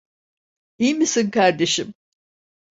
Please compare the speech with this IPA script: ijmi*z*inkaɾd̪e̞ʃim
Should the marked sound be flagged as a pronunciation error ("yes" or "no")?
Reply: yes